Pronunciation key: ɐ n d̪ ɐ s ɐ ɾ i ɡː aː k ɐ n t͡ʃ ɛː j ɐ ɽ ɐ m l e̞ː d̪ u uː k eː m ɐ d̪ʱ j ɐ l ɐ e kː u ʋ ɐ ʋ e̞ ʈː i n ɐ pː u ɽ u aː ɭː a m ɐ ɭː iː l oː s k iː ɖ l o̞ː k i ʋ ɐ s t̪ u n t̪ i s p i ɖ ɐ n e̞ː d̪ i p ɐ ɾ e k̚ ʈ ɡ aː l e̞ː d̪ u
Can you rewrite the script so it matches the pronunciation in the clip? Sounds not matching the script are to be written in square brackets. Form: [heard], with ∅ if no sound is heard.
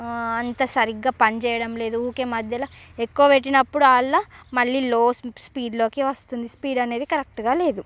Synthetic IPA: ɐ n [t̪] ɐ s ɐ ɾ i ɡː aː [p] ɐ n t͡ʃ ɛː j ɐ ɽ ɐ m l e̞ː d̪ u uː k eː m ɐ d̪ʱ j ɐ l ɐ e kː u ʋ ɐ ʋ e̞ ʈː i n ɐ pː u ɽ u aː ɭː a m ɐ ɭː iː l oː s [p] iː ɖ l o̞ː k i ʋ ɐ s t̪ u n [d̪] i s p [iː] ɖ ɐ n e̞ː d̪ i [k] ɐ ɾ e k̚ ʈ ɡ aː l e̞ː d̪ u